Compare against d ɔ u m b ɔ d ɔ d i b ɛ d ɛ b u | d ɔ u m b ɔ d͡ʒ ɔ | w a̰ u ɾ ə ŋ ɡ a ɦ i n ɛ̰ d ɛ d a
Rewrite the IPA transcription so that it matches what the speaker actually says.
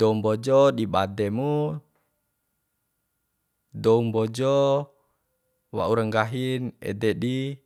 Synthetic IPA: d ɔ u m b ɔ d͡ʒ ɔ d i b a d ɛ m u | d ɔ u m b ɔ d͡ʒ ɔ | w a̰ u ɾ ə ŋ ɡ a ɦ i n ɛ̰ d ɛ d i